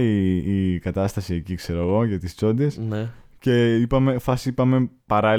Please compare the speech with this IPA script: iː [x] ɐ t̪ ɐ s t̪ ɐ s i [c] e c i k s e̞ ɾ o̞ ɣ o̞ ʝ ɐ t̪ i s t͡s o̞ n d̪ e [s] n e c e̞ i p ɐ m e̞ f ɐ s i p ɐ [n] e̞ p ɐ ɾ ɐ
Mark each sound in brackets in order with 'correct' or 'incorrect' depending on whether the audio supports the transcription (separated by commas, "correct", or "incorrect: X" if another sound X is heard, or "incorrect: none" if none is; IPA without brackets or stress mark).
incorrect: k, incorrect: none, correct, incorrect: m